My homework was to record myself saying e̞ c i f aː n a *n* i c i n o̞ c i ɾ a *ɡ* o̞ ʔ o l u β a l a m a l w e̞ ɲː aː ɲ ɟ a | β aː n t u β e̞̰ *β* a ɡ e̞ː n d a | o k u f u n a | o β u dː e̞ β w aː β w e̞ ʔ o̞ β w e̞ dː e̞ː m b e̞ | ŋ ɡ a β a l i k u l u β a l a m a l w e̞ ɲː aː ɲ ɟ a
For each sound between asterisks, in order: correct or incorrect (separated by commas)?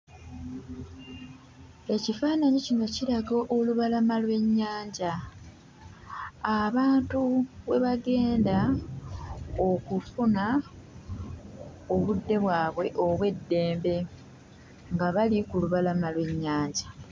incorrect, correct, correct